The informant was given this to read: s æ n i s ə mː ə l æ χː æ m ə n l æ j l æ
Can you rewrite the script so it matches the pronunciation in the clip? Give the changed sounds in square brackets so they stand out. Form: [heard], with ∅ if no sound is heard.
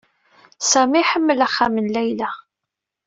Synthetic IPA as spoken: s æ [m] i [ħ] ə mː ə l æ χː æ m ə n l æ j l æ